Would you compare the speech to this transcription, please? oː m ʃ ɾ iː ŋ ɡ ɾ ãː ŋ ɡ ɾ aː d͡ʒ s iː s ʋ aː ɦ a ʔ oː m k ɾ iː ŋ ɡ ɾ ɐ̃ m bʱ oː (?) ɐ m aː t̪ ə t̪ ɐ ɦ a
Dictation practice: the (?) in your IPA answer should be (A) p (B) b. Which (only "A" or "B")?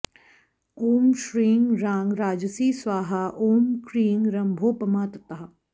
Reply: A